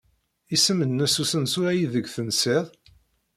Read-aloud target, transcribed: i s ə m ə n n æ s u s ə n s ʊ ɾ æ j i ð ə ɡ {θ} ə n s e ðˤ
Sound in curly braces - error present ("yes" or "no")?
no